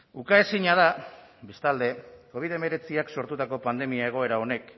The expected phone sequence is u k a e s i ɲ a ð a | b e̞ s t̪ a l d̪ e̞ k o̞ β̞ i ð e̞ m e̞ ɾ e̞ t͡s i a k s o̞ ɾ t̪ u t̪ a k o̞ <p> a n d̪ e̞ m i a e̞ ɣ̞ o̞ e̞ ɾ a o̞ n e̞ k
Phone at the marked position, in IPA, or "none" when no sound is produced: p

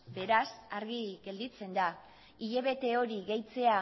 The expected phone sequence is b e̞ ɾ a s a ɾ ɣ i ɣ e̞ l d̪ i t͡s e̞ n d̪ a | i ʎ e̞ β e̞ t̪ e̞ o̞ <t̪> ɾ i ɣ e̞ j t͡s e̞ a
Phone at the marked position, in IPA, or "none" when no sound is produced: none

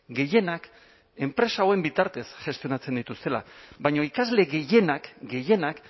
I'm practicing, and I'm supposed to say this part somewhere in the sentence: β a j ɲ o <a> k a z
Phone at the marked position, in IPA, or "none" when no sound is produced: i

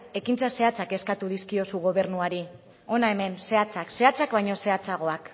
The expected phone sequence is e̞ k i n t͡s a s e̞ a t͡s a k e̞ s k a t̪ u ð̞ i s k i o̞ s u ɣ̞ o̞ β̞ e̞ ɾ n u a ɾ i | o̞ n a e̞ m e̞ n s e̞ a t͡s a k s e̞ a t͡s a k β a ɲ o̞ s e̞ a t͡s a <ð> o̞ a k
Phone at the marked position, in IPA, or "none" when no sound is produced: ɣ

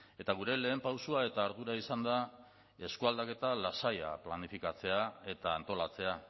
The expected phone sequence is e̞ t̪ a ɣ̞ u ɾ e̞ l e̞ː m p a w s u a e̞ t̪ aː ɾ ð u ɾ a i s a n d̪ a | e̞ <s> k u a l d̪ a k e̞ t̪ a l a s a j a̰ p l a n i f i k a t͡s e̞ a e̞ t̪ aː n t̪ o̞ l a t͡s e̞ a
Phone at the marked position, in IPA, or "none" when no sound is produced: s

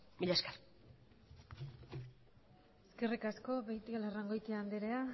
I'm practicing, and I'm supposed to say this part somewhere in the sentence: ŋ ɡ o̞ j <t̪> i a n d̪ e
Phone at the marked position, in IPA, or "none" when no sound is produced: t̪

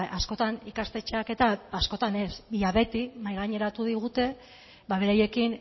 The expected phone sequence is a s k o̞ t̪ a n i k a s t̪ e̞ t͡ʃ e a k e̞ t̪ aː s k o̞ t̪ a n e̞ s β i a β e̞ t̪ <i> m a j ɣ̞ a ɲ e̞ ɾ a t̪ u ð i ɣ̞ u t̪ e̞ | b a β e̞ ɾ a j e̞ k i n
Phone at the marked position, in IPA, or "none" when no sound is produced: i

